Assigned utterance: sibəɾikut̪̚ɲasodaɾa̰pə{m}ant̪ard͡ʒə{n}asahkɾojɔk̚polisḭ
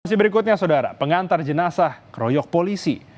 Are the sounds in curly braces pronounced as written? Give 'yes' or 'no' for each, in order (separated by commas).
no, yes